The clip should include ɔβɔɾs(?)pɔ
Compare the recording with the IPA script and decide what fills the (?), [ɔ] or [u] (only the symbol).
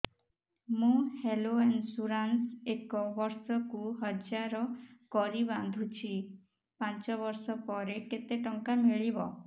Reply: ɔ